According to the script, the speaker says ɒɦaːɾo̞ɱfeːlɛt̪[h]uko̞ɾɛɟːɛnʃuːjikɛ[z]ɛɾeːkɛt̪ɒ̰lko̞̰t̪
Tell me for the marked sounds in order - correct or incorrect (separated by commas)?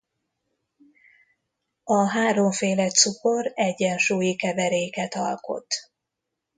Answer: incorrect, incorrect